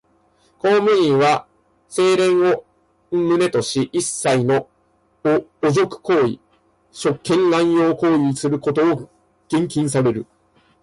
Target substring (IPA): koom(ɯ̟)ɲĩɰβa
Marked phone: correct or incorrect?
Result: correct